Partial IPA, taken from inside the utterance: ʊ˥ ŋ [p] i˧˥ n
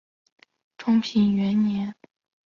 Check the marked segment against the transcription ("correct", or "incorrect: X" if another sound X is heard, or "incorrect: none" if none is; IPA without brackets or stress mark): incorrect: pʰ